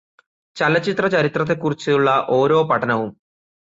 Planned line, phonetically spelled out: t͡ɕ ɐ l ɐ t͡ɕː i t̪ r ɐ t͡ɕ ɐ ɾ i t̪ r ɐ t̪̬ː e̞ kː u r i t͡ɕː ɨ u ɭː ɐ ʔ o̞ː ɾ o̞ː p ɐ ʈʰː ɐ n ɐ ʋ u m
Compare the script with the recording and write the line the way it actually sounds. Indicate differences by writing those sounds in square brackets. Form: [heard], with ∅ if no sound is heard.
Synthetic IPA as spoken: t͡ɕ ɐ l ɐ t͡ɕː i t̪ r ɐ t͡ɕ ɐ ɾ i t̪ r ɐ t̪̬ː e̞ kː u r i t͡ɕː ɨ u ɭː ɐ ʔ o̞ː ɾ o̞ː p ɐ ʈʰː ɐ n ɐ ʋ u m

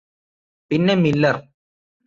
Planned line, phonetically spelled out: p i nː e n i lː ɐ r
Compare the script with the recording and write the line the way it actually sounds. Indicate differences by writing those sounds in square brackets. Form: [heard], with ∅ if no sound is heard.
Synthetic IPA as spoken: p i nː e [m] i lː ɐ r

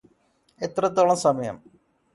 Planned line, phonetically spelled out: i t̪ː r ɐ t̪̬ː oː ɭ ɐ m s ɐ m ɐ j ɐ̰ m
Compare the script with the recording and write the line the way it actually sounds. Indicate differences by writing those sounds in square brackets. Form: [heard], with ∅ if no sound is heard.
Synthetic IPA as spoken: [e] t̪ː r ɐ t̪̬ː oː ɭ ɐ m s ɐ m ɐ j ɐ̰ m

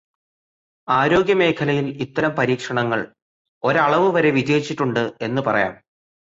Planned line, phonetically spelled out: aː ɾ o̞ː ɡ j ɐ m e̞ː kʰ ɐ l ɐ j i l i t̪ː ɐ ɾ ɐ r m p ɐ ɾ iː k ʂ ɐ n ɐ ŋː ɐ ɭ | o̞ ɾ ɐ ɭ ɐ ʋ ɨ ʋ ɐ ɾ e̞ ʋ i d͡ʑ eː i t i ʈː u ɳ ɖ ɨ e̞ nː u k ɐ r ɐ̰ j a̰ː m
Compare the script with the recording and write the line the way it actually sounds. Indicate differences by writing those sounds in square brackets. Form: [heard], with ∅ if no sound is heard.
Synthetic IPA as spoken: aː ɾ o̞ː ɡ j ɐ m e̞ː kʰ ɐ l ɐ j i l i t̪ː ɐ ɾ ɐ [∅] m p ɐ ɾ iː k ʂ ɐ [ɳ] ɐ ŋː ɐ ɭ | o̞ ɾ ɐ ɭ ɐ ʋ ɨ ʋ ɐ ɾ e̞ ʋ i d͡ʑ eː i [t͡ɕː] i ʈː u ɳ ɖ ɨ e̞ nː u [p] ɐ r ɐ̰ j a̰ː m

